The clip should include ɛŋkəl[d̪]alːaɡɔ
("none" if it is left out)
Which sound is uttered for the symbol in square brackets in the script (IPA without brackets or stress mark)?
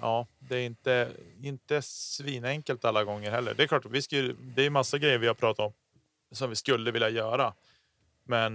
t̪